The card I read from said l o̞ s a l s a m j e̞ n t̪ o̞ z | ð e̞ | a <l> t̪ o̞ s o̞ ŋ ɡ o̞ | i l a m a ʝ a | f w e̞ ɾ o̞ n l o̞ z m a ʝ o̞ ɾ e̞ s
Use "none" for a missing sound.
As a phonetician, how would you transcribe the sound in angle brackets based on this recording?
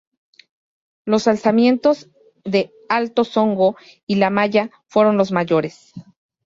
l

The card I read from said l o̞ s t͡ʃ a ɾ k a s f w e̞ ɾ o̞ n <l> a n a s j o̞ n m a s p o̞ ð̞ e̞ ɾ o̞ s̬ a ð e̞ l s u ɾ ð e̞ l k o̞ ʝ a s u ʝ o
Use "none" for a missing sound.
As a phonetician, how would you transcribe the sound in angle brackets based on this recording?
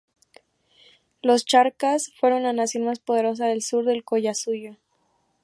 l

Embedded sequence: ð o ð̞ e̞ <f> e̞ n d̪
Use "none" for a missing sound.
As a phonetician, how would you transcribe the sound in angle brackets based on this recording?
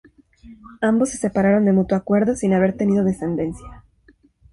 s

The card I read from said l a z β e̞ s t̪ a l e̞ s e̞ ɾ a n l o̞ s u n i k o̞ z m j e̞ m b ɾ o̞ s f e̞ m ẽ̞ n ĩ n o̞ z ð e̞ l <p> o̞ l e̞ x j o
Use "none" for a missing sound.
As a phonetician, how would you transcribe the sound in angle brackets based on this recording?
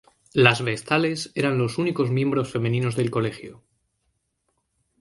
k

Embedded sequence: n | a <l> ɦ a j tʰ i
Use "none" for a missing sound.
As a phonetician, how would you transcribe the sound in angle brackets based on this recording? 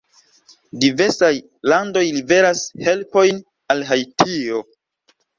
l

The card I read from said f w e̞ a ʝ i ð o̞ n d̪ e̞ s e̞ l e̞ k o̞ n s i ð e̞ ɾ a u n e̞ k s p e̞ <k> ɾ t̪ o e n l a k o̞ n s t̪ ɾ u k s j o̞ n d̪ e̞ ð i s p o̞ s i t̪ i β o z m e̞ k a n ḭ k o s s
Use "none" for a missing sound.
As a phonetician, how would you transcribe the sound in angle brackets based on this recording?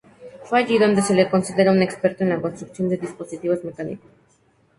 none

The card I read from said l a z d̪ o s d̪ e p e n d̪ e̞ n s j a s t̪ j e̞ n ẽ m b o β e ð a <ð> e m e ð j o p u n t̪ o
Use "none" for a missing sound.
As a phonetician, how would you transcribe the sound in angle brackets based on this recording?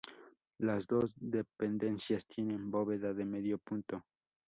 ð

